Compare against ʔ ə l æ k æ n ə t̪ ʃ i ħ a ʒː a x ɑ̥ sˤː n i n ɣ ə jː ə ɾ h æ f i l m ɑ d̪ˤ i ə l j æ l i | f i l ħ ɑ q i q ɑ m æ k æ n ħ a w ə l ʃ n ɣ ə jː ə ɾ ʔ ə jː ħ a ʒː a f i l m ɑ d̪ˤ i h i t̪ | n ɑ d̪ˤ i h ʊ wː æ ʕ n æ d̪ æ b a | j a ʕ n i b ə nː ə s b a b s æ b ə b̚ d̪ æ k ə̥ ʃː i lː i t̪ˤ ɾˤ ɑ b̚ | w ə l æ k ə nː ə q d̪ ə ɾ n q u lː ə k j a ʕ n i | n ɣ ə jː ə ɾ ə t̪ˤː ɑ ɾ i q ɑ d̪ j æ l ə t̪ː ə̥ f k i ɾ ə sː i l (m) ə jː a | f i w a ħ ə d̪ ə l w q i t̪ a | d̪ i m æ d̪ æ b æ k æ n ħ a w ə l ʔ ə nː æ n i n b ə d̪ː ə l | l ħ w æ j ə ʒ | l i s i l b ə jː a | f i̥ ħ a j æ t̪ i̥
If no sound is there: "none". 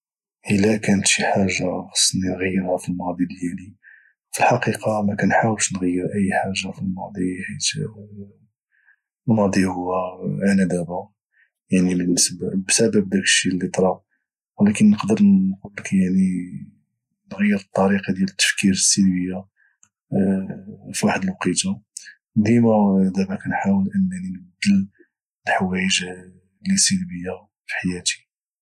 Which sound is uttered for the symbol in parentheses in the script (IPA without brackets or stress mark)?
b